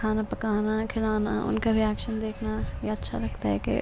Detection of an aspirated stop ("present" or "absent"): present